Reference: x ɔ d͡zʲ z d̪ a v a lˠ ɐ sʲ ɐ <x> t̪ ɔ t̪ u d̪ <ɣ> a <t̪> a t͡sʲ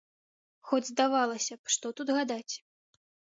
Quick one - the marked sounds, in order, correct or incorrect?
incorrect: ʂ, correct, incorrect: d̪

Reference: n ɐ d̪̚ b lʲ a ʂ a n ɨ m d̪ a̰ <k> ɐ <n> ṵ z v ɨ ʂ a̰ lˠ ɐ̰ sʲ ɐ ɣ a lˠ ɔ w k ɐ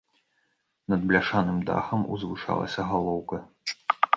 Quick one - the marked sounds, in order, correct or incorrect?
incorrect: x, incorrect: m

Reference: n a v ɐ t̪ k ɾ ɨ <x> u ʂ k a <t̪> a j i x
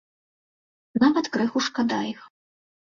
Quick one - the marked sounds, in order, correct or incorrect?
correct, incorrect: d̪

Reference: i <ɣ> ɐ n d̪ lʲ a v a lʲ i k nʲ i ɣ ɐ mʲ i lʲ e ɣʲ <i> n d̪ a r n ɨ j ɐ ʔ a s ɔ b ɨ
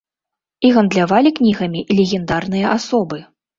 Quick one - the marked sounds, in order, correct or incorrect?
correct, incorrect: ɛ

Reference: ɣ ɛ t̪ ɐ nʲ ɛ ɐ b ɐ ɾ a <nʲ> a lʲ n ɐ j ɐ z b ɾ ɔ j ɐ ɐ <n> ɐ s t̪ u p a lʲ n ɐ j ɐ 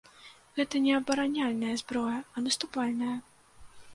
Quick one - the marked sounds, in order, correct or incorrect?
correct, correct

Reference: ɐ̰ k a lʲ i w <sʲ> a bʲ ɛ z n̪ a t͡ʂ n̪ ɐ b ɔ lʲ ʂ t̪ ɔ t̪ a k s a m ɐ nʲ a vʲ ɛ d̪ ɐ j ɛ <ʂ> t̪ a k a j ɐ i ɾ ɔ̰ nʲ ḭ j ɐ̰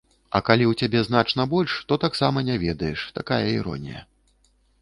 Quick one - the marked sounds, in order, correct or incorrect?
incorrect: t͡sʲ, correct

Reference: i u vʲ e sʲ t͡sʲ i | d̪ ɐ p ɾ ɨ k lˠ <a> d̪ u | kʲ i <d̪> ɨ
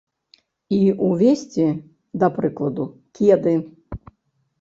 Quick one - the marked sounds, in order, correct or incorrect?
incorrect: ɐ, correct

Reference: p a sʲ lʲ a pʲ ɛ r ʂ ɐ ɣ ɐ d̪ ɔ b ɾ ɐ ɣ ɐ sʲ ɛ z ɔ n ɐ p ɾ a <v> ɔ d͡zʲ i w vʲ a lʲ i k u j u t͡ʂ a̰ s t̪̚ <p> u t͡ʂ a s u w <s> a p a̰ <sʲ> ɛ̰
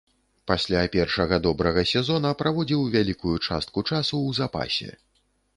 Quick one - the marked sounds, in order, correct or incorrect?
correct, incorrect: k, incorrect: z, correct

